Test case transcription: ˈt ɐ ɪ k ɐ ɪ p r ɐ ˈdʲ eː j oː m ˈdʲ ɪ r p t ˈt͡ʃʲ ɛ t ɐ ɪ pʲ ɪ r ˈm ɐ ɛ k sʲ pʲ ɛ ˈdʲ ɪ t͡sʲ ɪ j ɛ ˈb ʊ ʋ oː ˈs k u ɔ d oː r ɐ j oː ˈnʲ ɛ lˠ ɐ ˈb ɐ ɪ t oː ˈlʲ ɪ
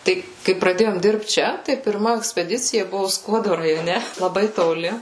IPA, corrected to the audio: ˈt ɐ ɪ k ɐ ɪ p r ɐ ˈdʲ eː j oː m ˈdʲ ɪ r p t ˈt͡ʃʲ ɛ t ɐ ɪ pʲ ɪ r ˈm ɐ ɛ k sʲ pʲ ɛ ˈdʲ ɪ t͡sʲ ɪ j ɛ ˈb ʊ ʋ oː ˈs k u ɔ d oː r ɐ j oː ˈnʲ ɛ lˠ ɐ ˈb ɐ ɪ t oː ˈlʲ ɪ